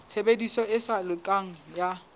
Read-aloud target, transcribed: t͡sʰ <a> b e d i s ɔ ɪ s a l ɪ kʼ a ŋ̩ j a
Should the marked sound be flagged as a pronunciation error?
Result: yes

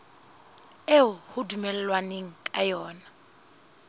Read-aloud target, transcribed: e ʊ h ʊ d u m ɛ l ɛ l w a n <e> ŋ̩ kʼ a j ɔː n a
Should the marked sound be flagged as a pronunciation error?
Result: no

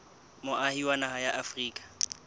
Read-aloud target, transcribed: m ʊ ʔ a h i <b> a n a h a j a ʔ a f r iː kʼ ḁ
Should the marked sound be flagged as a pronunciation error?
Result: yes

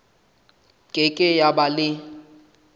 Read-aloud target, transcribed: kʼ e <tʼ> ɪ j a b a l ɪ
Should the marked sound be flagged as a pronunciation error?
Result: yes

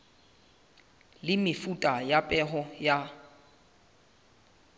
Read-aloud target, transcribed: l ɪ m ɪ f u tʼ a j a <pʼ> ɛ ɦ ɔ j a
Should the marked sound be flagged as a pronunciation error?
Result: no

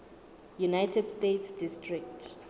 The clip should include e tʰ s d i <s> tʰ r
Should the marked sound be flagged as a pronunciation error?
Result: no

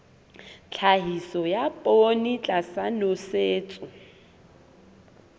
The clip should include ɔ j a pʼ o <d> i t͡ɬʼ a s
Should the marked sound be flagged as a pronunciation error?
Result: yes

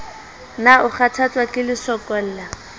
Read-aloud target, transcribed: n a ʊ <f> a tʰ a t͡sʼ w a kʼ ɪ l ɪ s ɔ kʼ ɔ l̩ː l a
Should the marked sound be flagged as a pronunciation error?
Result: yes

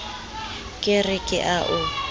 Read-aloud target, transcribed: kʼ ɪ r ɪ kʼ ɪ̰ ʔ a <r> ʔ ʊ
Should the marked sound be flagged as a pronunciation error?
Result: yes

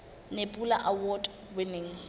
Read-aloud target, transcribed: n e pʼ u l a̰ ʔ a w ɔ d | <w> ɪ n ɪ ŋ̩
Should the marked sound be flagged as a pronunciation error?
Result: no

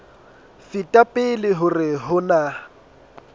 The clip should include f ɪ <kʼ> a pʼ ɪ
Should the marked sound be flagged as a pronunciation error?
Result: yes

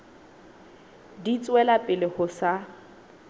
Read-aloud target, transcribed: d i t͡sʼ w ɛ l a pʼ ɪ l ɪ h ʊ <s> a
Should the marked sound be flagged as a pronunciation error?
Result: no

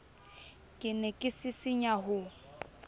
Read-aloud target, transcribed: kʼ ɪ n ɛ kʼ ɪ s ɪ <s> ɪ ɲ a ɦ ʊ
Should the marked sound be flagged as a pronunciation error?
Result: no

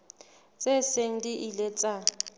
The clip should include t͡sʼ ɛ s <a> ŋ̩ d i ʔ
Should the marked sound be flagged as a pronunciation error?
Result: yes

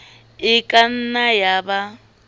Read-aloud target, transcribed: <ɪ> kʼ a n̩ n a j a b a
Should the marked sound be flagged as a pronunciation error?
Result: no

